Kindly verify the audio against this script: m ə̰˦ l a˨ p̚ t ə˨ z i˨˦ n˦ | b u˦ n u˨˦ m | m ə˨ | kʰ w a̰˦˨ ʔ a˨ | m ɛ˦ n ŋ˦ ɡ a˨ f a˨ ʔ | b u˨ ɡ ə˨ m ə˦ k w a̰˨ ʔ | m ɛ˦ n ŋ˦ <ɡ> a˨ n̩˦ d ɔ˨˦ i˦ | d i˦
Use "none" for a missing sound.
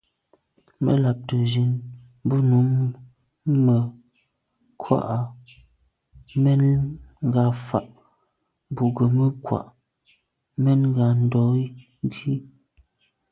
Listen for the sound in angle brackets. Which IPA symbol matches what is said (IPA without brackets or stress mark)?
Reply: ɡ